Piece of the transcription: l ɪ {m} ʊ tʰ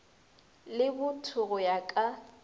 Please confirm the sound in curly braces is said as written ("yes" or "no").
no